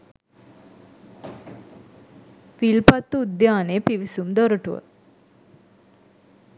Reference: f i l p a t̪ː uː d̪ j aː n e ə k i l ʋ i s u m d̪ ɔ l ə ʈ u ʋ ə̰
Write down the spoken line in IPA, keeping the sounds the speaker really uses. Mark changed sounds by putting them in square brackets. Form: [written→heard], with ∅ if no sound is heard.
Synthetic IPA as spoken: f i l p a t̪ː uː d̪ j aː n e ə [k→p] i [l→∅] ʋ i s u m d̪ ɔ [l→ɾ] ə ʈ u ʋ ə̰